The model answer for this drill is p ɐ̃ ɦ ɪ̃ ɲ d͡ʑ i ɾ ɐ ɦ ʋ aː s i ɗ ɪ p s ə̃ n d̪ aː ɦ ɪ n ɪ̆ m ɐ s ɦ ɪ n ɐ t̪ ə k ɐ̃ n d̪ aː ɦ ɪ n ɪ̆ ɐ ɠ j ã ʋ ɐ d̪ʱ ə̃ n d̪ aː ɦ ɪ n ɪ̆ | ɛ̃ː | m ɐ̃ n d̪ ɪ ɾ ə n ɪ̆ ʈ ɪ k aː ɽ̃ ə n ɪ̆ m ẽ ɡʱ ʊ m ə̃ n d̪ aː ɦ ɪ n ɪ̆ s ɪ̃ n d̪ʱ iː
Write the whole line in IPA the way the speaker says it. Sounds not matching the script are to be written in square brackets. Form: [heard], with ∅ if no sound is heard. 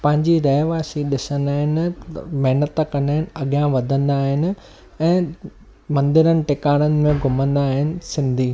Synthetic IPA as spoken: p ɐ̃ ɦ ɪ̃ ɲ d͡ʑ i ɾ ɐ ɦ ʋ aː s i ɗ ɪ [∅] s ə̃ n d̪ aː ɦ ɪ n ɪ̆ m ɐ [∅] ɦ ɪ n [ə] t̪ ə k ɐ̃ n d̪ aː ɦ ɪ n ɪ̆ ɐ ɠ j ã ʋ ɐ d̪ʱ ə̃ n d̪ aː ɦ ɪ n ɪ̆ | ɛ̃ː | m ɐ̃ n d̪ ɪ ɾ ə n ɪ̆ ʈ ɪ k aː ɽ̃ ə n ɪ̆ m ẽ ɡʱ ʊ m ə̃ n d̪ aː ɦ ɪ n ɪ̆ s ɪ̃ n d̪ʱ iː

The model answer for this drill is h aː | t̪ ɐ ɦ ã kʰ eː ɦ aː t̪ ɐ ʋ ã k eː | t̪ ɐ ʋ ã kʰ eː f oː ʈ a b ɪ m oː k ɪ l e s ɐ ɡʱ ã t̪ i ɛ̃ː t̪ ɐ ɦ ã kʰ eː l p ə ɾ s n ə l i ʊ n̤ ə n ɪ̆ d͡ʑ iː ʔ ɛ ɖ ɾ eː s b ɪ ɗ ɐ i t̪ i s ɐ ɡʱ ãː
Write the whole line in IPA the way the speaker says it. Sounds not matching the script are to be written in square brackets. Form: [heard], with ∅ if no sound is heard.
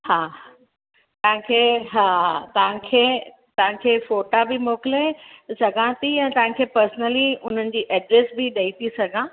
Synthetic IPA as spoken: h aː | t̪ ɐ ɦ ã kʰ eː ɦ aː t̪ ɐ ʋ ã [kʰ] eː | t̪ ɐ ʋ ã kʰ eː f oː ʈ a b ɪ m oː k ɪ l e s ɐ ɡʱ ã t̪ i ɛ̃ː t̪ ɐ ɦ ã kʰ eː [∅] p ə ɾ s n ə l i ʊ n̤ ə n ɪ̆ d͡ʑ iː ʔ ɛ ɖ ɾ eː s b ɪ ɗ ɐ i t̪ i s ɐ ɡʱ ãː

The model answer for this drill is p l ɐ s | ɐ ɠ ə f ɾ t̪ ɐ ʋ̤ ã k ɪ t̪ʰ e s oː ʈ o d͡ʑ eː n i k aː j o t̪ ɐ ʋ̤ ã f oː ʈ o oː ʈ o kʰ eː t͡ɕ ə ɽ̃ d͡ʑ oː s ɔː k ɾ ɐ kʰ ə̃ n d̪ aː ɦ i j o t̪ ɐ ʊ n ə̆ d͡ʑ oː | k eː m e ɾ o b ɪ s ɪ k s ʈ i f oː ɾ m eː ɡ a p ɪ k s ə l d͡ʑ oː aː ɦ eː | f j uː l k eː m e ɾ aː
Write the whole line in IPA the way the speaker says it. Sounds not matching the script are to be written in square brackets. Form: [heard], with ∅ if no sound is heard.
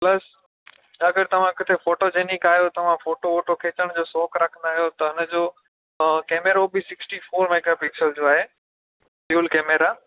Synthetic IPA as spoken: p l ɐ s | ɐ [ɡ] ə [∅] ɾ t̪ ɐ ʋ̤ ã k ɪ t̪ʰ e [f] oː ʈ o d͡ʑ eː n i k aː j o t̪ ɐ ʋ̤ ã f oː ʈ o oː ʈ o kʰ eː t͡ɕ ə ɽ̃ d͡ʑ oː s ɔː k ɾ ɐ kʰ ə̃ n d̪ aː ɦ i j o t̪ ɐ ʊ n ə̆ d͡ʑ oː | k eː m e ɾ o b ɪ s ɪ k s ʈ i f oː ɾ m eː ɡ a p ɪ k s ə l d͡ʑ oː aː ɦ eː | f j uː l k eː m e ɾ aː

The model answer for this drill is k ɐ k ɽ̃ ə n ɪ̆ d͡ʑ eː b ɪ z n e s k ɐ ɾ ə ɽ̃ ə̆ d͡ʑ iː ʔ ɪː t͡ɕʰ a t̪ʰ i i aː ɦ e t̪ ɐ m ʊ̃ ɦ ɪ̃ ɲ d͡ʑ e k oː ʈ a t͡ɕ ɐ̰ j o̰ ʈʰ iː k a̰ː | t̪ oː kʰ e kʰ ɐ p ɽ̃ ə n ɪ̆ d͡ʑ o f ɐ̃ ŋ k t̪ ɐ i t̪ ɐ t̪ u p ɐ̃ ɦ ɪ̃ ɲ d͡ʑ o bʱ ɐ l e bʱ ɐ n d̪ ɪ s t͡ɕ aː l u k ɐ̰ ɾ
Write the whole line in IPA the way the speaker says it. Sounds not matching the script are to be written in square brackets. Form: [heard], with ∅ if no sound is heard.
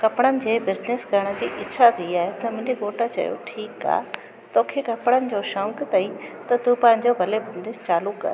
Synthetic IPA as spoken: k ɐ [p] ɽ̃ ə n ɪ̆ d͡ʑ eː b ɪ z n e s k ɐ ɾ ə ɽ̃ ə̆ d͡ʑ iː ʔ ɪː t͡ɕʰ a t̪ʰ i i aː ɦ e t̪ ɐ m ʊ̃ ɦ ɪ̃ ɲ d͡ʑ e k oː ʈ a t͡ɕ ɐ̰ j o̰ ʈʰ iː k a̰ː | t̪ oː kʰ e [k] ɐ p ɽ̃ ə n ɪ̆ d͡ʑ o [ʃ] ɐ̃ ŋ k t̪ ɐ i t̪ ɐ t̪ u p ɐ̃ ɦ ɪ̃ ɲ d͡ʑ o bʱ ɐ l e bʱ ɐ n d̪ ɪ s t͡ɕ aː l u k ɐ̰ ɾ

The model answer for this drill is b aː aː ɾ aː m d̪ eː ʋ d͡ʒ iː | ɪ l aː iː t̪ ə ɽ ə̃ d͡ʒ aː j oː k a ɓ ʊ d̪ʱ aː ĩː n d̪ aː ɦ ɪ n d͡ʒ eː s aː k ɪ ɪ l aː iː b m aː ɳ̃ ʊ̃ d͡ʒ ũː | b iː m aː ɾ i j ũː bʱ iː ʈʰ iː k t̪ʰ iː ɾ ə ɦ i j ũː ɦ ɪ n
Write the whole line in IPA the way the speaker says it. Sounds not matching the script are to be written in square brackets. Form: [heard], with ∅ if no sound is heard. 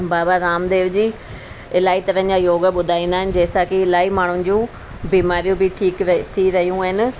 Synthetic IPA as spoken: b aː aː ɾ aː m d̪ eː ʋ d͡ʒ iː | ɪ l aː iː t̪ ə [ɾ] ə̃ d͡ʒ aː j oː [ɡ] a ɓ ʊ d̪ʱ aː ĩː n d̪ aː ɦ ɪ n d͡ʒ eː s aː k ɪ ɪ l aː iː [∅] m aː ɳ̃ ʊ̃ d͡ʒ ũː | b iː m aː ɾ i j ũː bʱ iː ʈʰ iː k t̪ʰ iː ɾ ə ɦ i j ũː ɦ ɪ n

